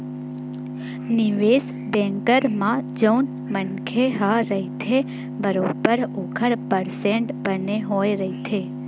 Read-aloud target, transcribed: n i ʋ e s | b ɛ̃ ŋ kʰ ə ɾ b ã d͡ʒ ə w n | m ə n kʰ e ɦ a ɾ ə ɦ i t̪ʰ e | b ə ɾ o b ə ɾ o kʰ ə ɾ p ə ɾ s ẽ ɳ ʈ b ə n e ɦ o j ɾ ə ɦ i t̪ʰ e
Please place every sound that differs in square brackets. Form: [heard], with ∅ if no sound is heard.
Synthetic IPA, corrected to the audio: n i ʋ e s | b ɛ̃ ŋ [k] ə ɾ [m] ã d͡ʒ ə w n | m ə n kʰ e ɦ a ɾ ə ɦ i t̪ʰ e | b ə ɾ o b ə ɾ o kʰ ə ɾ p ə ɾ s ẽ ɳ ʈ b ə n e ɦ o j ɾ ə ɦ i t̪ʰ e